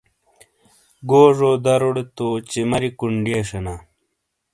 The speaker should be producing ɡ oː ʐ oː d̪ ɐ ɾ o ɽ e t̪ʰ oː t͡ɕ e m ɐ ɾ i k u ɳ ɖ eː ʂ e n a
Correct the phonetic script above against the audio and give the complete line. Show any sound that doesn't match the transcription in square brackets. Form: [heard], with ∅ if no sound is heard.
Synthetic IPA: ɡ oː ʐ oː d̪ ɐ ɾ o ɽ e [t̪] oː t͡ɕ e m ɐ ɾ i k u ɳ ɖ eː ʂ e n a